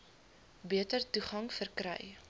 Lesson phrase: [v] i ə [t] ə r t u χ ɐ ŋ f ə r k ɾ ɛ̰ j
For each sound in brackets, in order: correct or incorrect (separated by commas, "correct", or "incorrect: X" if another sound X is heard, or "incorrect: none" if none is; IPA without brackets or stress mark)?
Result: incorrect: b, correct